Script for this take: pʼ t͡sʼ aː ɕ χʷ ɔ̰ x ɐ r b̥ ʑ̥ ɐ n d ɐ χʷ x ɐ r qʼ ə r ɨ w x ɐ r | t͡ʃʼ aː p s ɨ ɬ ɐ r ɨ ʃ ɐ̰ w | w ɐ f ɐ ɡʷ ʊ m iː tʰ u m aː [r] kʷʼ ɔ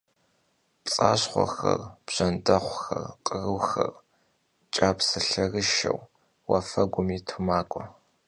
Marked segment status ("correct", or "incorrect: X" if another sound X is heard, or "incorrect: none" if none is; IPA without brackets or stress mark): incorrect: none